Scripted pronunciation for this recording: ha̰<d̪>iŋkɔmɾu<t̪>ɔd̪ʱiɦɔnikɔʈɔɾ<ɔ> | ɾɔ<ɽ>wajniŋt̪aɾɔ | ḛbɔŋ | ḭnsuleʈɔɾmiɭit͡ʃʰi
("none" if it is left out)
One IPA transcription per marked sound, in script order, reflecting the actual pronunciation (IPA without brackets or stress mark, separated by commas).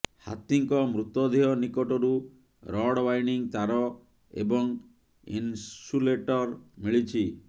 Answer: t̪, t̪, u, ɽ